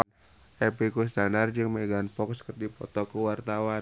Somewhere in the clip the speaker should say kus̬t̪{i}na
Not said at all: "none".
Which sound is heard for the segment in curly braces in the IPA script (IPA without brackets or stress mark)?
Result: a